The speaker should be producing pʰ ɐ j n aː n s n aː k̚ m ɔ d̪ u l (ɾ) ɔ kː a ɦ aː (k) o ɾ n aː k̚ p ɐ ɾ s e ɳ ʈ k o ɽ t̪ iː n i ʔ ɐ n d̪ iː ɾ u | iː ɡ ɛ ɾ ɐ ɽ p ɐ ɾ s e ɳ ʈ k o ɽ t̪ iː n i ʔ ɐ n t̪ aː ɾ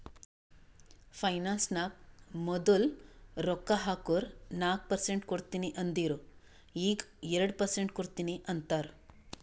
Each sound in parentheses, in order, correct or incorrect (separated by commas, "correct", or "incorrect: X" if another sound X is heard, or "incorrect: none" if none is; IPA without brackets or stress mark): correct, correct